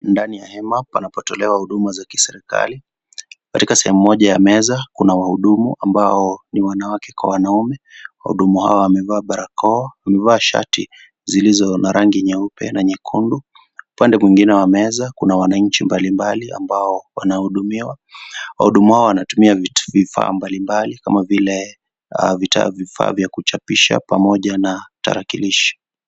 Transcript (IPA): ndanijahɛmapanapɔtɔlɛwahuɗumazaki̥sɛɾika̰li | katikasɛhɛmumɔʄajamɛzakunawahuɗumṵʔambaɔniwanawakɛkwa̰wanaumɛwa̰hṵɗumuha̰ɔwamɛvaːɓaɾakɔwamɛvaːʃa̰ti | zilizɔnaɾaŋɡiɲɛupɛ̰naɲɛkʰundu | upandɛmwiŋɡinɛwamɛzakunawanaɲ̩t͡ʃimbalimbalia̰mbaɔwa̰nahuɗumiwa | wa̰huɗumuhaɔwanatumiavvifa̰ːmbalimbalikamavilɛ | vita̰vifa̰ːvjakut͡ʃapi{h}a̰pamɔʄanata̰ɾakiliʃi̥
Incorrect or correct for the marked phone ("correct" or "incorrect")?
incorrect